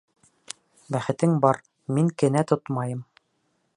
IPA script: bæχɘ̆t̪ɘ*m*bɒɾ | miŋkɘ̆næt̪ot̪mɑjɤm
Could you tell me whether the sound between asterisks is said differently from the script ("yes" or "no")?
yes